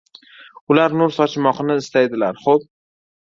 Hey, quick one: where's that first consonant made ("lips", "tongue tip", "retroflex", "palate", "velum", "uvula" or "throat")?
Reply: tongue tip